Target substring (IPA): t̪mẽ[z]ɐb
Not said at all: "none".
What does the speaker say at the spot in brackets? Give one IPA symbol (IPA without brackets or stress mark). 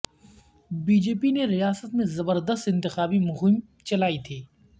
z